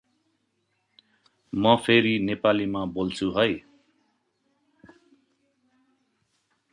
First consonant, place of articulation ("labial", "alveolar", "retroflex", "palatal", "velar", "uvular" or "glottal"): labial